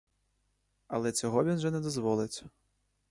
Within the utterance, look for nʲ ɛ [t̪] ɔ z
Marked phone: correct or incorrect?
incorrect